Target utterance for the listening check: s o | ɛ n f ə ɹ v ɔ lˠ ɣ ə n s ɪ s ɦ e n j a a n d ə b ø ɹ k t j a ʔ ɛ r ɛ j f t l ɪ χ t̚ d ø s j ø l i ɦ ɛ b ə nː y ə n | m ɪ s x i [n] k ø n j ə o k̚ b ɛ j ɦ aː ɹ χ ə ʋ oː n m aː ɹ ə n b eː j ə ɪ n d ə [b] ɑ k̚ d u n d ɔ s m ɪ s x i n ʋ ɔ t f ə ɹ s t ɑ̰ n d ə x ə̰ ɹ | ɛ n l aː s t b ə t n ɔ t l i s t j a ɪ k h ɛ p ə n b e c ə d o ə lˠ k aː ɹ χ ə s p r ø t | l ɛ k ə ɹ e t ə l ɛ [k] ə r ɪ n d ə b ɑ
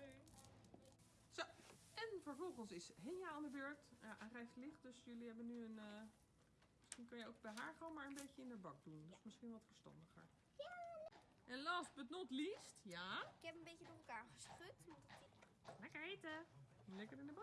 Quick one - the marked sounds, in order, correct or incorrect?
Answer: correct, correct, correct

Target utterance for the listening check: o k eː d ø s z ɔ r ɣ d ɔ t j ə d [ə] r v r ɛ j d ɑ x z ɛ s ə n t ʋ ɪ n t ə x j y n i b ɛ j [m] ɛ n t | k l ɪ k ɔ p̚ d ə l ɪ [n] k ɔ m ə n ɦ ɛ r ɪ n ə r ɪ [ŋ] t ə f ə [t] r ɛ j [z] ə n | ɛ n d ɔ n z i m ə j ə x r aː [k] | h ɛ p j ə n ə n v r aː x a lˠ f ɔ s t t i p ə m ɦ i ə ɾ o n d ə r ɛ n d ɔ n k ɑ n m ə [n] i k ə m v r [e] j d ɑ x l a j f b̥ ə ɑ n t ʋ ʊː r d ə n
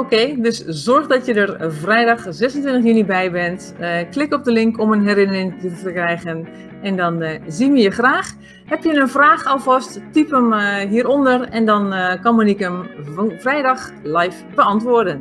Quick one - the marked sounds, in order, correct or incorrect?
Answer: correct, incorrect: b, incorrect: ŋ, correct, incorrect: k, incorrect: ɣ, incorrect: x, correct, incorrect: ɛ

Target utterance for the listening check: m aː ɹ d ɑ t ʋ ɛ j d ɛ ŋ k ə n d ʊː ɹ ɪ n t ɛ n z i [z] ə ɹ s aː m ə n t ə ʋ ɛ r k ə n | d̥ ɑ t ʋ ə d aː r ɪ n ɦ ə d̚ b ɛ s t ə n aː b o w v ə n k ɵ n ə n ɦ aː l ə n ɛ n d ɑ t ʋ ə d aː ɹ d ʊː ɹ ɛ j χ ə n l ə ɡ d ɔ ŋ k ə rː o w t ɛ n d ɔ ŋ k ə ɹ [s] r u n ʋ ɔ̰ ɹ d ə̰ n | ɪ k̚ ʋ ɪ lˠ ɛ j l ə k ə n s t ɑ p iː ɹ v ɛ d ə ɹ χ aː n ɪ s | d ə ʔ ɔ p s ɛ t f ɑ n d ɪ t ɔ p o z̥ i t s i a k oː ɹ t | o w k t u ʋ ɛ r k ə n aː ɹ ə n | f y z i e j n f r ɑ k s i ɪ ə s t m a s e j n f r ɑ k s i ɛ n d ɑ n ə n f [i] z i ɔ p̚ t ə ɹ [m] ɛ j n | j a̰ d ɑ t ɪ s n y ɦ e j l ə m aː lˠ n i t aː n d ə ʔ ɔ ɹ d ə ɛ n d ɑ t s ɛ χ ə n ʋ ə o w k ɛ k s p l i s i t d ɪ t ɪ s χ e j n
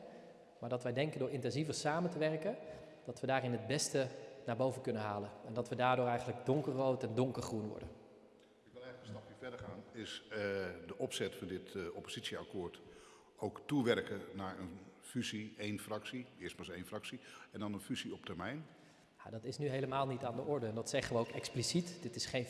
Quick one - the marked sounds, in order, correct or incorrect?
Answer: incorrect: v, incorrect: χ, incorrect: y, correct

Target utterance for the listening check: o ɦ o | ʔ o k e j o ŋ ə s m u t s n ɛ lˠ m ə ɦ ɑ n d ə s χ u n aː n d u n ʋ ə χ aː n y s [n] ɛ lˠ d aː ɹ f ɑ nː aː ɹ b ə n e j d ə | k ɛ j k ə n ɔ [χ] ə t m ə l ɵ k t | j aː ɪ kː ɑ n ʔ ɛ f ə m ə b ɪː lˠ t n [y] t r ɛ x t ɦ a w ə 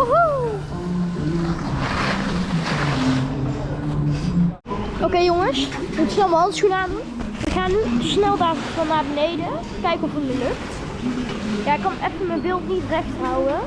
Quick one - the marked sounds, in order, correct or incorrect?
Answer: correct, incorrect: f, incorrect: i

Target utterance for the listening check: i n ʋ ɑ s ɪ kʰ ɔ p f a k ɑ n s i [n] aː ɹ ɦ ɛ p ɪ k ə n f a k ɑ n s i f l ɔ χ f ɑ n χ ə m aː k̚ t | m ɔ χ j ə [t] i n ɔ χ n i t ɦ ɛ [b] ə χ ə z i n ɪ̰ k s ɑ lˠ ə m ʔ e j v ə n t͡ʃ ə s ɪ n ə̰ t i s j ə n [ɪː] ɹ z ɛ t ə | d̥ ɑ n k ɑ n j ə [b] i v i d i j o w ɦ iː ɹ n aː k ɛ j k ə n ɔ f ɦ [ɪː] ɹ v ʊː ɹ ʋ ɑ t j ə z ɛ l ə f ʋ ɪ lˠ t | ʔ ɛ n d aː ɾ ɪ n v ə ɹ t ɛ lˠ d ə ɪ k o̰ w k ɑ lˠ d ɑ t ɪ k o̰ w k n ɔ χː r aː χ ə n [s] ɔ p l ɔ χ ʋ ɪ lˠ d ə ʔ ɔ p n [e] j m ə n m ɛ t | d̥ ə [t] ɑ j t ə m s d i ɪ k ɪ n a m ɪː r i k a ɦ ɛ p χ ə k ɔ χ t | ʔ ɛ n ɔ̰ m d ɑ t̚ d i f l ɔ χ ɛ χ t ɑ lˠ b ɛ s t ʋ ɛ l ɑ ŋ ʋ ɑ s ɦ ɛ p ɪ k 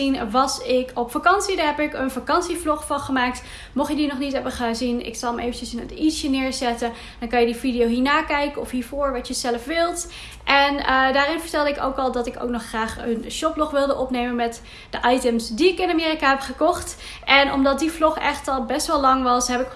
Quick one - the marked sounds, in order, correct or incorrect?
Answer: incorrect: d, incorrect: d, correct, correct, incorrect: d, incorrect: iː, incorrect: ʃ, correct, incorrect: ʔ

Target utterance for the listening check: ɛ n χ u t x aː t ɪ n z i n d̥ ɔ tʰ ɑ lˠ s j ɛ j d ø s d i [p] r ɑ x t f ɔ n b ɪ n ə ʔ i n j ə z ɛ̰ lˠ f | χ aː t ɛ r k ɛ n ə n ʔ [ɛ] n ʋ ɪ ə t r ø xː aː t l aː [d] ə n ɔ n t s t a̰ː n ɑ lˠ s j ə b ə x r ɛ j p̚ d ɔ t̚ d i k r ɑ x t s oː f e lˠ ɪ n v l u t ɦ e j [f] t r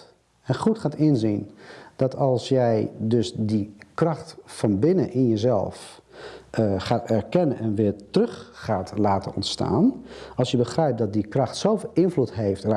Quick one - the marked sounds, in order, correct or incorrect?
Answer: incorrect: k, correct, incorrect: t, correct

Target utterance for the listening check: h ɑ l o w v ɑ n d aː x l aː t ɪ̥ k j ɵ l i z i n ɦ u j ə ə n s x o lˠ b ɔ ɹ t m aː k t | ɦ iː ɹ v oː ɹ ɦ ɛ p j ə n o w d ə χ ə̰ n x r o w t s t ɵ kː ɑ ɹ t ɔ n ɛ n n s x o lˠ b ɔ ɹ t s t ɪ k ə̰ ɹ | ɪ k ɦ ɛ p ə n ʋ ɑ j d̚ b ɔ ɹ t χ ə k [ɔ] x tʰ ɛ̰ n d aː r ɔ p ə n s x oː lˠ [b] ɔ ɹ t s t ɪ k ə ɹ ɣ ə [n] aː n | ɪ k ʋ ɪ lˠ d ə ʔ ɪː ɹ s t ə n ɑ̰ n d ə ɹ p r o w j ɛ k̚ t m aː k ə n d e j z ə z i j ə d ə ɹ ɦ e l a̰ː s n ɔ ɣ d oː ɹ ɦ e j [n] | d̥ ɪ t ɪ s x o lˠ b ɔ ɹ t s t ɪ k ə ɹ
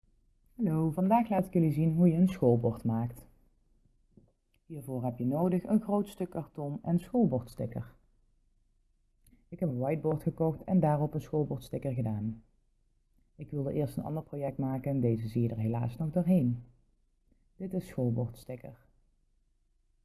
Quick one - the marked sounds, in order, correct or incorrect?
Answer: correct, correct, incorrect: d, correct

